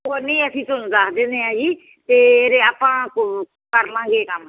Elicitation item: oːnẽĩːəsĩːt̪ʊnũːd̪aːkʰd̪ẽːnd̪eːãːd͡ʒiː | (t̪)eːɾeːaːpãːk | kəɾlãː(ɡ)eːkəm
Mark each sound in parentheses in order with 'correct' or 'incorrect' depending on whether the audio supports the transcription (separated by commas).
correct, correct